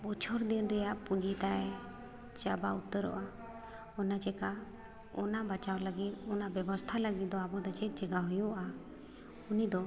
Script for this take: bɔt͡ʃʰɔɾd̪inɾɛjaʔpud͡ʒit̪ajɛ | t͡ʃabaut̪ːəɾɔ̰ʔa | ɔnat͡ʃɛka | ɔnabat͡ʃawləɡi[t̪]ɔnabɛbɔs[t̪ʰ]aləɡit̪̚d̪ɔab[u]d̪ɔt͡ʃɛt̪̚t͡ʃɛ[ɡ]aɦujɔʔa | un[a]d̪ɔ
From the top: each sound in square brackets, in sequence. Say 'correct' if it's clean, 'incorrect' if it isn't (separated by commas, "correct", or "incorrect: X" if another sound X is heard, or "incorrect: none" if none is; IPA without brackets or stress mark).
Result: correct, correct, incorrect: ɔ, correct, incorrect: i